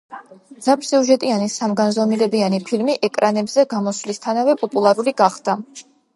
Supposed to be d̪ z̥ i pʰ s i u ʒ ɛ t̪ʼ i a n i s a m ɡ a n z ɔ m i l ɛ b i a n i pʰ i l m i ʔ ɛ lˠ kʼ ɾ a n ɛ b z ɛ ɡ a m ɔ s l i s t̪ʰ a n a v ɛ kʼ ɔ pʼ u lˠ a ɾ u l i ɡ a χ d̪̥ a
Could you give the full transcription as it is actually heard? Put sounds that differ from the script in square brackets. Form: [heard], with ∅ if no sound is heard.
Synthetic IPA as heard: d̪ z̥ [a] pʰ s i u ʒ ɛ t̪ʼ i a n i s a m ɡ a n z ɔ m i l ɛ b i a n i pʰ i l m i ʔ ɛ [∅] kʼ ɾ a n ɛ b z ɛ ɡ a m ɔ s l i s t̪ʰ a n a v ɛ [pʼ] ɔ pʼ u lˠ a ɾ u l i ɡ a χ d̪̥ a